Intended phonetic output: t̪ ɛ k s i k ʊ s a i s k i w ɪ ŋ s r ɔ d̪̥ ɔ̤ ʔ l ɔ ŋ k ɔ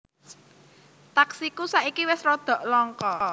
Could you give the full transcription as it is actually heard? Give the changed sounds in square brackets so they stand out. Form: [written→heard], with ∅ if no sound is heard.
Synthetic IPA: t̪ [ɛ→a] k s i k [ʊ→u] s a i [s→∅] k i w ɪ [ŋ→∅] s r ɔ d̪̥ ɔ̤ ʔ l ɔ ŋ k ɔ